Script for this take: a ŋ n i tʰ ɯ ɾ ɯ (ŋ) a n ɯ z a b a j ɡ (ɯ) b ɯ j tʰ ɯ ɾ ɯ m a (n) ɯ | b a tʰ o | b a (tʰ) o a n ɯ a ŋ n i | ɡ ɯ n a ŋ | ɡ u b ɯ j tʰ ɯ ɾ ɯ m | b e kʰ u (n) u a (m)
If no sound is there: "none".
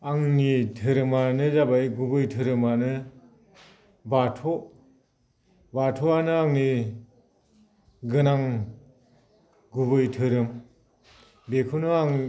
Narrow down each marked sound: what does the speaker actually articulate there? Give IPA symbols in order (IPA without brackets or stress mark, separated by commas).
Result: m, u, n, tʰ, n, ŋ